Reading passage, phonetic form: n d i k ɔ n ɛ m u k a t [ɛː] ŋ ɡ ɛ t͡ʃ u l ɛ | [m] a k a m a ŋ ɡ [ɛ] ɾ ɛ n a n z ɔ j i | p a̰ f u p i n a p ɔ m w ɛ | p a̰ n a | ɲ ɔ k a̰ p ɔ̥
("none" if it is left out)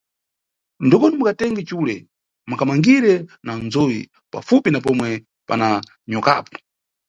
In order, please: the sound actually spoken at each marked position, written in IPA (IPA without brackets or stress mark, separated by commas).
ɛ, m, i